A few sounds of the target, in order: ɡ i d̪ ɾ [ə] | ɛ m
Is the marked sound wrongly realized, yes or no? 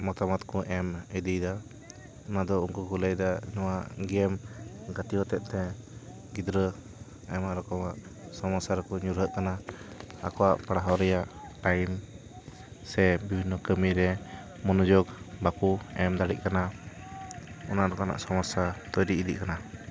no